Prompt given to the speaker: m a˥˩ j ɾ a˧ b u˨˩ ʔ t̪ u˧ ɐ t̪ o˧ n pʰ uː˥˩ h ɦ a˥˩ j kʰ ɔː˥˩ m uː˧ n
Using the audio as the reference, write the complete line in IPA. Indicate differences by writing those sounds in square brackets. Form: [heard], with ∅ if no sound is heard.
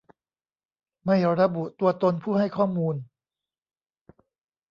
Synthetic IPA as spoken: m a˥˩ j ɾ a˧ b u˨˩ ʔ t̪ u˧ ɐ t̪ o˧ n pʰ uː˥˩ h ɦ a˥˩ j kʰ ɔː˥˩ m uː˧ n